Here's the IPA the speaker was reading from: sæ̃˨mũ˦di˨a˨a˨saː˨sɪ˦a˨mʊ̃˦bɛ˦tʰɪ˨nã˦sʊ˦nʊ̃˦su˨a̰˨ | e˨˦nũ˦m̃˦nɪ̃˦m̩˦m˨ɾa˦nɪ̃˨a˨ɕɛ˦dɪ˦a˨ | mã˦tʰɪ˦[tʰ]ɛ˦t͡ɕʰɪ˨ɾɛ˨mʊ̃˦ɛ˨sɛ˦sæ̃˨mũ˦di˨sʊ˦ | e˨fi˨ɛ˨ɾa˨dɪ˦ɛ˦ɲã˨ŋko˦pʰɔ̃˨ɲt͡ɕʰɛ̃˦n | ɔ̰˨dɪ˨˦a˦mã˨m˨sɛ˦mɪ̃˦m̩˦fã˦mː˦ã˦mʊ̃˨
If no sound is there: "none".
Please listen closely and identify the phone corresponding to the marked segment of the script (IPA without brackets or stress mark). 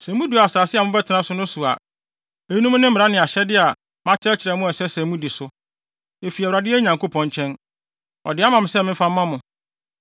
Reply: none